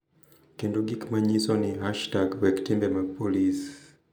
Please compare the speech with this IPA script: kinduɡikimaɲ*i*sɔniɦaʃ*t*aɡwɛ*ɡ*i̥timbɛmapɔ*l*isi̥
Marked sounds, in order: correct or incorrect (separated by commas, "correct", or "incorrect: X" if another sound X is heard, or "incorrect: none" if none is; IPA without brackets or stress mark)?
correct, correct, incorrect: k, correct